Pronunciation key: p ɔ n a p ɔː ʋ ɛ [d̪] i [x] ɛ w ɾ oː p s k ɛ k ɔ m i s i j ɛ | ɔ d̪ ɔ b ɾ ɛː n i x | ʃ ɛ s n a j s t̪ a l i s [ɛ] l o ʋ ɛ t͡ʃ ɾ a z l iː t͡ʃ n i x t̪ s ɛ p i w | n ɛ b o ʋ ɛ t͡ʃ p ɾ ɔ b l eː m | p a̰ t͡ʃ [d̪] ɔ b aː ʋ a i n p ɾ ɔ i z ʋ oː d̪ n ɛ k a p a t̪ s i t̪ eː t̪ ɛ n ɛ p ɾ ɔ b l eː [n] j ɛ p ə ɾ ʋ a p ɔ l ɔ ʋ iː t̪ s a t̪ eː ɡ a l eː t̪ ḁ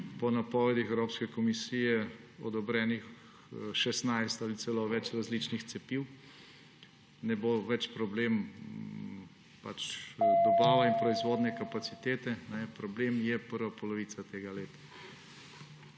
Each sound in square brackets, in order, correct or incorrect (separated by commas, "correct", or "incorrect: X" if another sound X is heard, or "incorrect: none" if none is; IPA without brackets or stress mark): correct, correct, correct, correct, incorrect: m